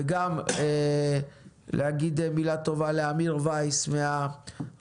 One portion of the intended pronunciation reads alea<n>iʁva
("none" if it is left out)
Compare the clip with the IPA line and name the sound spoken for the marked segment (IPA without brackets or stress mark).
m